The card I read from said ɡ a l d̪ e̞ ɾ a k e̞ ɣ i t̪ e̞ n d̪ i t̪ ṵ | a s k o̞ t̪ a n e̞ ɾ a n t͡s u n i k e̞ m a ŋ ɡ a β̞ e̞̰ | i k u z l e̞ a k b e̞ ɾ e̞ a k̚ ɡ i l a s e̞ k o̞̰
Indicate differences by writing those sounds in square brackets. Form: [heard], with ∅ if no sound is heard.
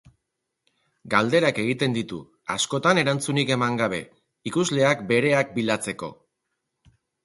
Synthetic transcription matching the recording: ɡ a l d̪ e̞ ɾ a k e̞ ɣ i t̪ e̞ n d̪ i t̪ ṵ | a s k o̞ t̪ a n e̞ ɾ a n t͡s u n i k e̞ m a ŋ ɡ a β̞ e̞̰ | i k u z l e̞ a k b e̞ ɾ e̞ a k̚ [b] i l a [t͡s] e̞ k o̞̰